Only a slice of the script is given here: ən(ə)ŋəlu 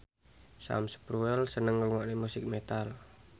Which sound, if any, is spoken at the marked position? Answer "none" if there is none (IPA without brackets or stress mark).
ə